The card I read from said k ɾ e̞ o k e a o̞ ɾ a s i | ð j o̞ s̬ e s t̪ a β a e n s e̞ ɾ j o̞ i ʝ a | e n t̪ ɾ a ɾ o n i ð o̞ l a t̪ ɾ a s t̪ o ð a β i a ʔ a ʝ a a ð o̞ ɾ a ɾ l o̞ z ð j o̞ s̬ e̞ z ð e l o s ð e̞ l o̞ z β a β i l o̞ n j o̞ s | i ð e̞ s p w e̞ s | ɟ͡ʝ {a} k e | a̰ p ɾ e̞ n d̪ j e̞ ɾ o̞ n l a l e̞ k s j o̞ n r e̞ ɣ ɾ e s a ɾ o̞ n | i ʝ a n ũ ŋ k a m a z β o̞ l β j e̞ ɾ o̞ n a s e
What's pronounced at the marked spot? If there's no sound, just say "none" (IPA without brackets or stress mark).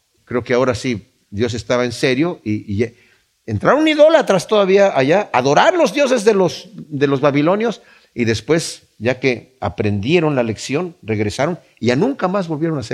a